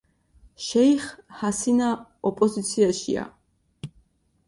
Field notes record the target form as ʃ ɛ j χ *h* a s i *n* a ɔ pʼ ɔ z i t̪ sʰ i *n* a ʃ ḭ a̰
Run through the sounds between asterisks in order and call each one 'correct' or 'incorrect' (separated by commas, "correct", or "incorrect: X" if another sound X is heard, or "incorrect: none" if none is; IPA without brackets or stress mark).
correct, correct, incorrect: none